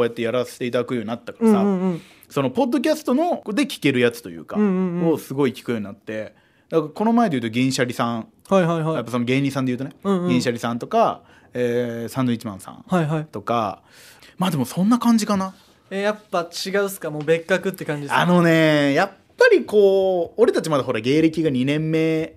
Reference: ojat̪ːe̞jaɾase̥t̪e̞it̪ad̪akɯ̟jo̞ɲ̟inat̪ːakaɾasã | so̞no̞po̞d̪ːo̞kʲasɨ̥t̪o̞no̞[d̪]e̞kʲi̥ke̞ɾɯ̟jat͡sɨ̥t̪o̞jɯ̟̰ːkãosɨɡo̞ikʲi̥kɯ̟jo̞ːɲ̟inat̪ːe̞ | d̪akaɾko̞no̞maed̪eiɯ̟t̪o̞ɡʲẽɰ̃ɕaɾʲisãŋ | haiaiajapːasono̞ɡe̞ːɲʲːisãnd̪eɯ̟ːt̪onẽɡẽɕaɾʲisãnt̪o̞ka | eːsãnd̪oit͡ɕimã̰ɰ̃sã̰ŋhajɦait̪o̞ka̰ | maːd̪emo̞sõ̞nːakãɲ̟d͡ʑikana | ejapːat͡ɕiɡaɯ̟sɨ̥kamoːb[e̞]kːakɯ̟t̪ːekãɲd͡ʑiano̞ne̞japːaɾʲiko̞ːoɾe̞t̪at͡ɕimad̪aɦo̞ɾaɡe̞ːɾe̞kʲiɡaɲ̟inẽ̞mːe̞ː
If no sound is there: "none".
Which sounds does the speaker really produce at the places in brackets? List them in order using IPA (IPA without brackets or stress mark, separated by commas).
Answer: d̪, e̞